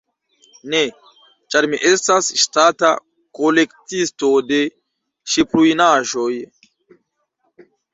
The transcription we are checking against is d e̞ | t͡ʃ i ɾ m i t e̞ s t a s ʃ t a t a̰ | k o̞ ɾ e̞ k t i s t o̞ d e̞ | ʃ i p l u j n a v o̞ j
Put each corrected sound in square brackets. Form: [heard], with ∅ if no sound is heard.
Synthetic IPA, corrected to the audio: [n] e̞ | t͡ʃ [a] ɾ m i [ʔ] e̞ s t a s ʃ t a t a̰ | k o̞ [l] e̞ k t i s t o̞ d e̞ | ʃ i p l u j n a [ʒ] o̞ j

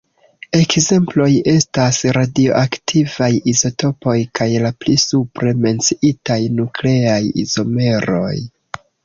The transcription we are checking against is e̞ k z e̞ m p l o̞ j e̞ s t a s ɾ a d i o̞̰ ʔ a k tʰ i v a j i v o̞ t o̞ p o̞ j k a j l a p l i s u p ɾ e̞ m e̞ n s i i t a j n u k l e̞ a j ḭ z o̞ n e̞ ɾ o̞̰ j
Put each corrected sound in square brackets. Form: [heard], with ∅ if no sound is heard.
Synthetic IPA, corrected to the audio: e̞ k z e̞ m p l o̞ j e̞ s t a s ɾ a d i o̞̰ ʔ a k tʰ i v a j i [z] o̞ t o̞ p o̞ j k a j l a p l i s u p ɾ e̞ m e̞ n [t͡s] i i t a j n u k l e̞ a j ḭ z o̞ [m] e̞ ɾ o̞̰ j

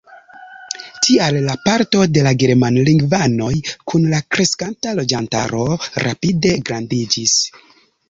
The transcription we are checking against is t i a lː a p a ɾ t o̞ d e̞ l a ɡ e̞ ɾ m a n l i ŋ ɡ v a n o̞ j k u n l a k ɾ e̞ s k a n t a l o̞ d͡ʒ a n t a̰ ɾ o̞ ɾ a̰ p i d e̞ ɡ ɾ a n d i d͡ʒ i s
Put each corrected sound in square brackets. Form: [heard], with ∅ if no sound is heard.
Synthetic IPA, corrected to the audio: t i a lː a p a ɾ t o̞ d e̞ l a ɡ e̞ ɾ m a n l i ŋ ɡ v a n o̞ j k u n l a k ɾ e̞ s k a n t a l o̞ d͡ʒ a n t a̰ ɾ o̞ ɾ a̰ p i d e̞ ɡ ɾ a n d i d͡ʒ i s

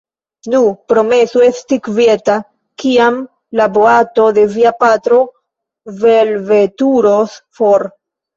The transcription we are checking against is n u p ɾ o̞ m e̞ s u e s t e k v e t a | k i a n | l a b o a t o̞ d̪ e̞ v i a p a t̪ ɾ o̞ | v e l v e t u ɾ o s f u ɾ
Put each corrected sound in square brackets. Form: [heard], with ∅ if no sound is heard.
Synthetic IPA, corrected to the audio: n u p ɾ o̞ m e̞ s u e s t [i] k v e t a | k i a [m] | l a b o a t o̞ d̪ e̞ v i a p a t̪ ɾ o̞ | v e l v e t u ɾ o s f [o] ɾ

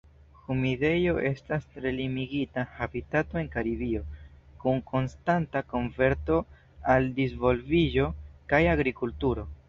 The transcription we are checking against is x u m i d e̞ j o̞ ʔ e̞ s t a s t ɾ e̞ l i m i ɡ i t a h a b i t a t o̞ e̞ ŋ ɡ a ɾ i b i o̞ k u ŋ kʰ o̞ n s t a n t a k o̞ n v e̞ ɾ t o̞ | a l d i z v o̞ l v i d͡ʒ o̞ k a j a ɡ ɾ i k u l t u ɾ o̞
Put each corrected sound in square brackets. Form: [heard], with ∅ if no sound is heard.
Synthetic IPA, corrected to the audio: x u m i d e̞ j o̞ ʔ e̞ s t a s t ɾ e̞ l i m i ɡ i t a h a b i t a t o̞ e̞ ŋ [k] a ɾ i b i o̞ k u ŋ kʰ o̞ n s t a n t a k o̞ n v e̞ ɾ t o̞ | a l d i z v o̞ l v i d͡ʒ o̞ k a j a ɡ ɾ i k u l t u ɾ o̞

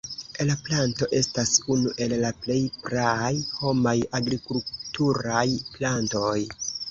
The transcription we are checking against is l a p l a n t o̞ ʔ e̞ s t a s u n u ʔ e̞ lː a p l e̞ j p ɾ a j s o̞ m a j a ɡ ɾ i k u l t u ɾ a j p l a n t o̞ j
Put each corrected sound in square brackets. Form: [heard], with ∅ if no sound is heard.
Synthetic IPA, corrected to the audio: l a p l a n t o̞ ʔ e̞ s t a s u n u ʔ e̞ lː a p l e̞ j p ɾ a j [h] o̞ m a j a ɡ ɾ i k u l t u ɾ a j p l a n t o̞ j

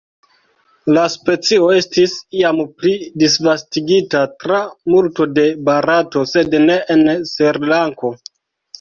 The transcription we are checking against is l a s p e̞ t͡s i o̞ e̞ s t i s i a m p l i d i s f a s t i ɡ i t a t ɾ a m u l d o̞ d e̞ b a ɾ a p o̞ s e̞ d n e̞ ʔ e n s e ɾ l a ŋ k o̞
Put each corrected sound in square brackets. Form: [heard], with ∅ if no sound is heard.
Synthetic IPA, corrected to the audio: l a s p e̞ t͡s i o̞ e̞ s t i s i a m p l i d i s [v] a s t i ɡ i t a t ɾ a m u l [t] o̞ d e̞ b a ɾ a [t] o̞ s e̞ d n e̞ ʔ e n s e ɾ l a ŋ k o̞

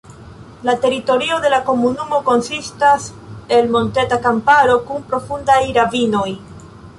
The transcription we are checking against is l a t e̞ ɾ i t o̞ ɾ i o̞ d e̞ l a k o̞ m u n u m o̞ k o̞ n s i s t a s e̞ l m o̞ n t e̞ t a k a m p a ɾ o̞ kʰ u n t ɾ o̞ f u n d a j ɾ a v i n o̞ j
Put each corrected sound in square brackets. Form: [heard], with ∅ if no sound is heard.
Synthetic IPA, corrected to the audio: l a t e̞ ɾ i t o̞ ɾ i o̞ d e̞ l a k o̞ m u n u m o̞ k o̞ n s i s t a s e̞ l m o̞ n t e̞ t a k a m p a ɾ o̞ [k] u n [p] ɾ o̞ f u n d a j ɾ a v i n o̞ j

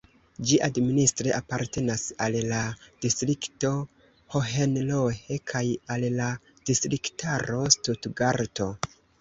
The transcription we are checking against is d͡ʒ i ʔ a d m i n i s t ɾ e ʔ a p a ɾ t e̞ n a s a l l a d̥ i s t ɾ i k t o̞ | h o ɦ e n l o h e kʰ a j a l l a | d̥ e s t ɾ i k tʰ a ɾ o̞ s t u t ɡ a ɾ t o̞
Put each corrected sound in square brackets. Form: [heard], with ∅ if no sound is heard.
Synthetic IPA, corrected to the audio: d͡ʒ i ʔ a d m i n i s t ɾ e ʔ a p a ɾ t e̞ n a s a l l a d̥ i s t ɾ i k t o̞ | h o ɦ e n l o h e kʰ a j a l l a | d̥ [i] s t ɾ i k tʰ a ɾ o̞ s t u t ɡ a ɾ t o̞

